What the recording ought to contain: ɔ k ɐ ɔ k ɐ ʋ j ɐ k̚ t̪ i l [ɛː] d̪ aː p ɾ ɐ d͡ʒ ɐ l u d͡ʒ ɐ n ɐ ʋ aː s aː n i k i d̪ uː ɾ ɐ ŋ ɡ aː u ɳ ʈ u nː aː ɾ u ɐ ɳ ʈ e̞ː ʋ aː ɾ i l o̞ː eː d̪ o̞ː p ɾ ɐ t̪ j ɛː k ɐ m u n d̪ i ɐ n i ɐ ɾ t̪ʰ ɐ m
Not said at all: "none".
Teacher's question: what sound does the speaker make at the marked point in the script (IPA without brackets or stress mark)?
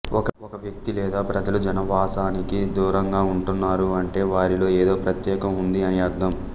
ɛː